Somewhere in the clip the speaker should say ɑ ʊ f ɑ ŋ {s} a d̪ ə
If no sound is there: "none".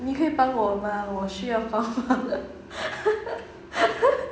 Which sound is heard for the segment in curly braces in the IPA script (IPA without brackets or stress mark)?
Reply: f